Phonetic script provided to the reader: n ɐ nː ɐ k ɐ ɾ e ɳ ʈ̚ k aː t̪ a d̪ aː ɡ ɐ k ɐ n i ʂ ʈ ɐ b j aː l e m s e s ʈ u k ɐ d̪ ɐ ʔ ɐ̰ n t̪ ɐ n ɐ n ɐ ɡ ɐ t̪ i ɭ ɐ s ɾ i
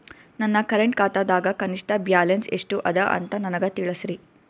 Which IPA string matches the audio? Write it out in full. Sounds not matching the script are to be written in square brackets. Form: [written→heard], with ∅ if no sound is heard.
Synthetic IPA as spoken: n ɐ nː ɐ k ɐ ɾ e ɳ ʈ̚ k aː t̪ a d̪ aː ɡ ɐ k ɐ n i ʂ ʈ ɐ b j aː l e [m→n] s e [s→ʂ] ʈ u [k→ʔ] ɐ d̪ ɐ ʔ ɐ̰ n t̪ ɐ n ɐ n ɐ ɡ ɐ t̪ i ɭ ɐ s ɾ i